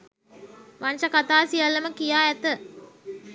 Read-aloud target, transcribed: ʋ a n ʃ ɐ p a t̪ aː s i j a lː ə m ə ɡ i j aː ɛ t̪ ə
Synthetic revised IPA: ʋ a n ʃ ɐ k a t̪ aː s i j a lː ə m ə k i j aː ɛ t̪ ə